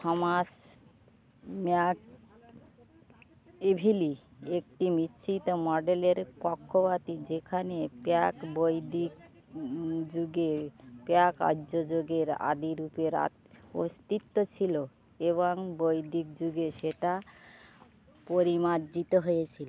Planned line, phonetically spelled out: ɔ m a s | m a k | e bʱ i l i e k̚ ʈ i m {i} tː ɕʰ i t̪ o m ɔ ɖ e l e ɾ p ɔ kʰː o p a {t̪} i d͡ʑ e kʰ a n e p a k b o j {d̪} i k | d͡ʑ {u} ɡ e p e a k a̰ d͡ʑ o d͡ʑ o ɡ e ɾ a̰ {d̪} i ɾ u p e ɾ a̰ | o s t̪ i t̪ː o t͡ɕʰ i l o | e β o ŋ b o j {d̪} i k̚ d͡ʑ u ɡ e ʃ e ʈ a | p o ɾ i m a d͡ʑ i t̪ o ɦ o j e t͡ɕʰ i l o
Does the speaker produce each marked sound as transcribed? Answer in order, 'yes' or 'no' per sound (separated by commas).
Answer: yes, yes, yes, yes, yes, yes